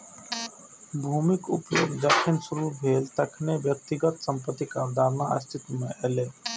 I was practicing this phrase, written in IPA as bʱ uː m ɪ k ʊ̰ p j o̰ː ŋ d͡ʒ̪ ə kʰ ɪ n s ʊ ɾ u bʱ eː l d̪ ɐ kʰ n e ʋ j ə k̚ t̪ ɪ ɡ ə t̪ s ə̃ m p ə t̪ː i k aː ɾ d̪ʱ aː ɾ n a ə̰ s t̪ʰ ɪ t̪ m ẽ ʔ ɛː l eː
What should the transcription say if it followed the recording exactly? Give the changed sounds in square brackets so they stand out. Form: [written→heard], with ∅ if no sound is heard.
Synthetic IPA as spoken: bʱ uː m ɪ k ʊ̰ p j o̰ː [ŋ→ɡ] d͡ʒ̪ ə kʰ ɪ n s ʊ ɾ u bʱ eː l [d̪→t̪] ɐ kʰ n e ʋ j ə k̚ t̪ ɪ ɡ ə t̪ s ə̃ m p ə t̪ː i k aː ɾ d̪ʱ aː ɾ n a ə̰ s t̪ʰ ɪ t̪ m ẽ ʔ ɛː l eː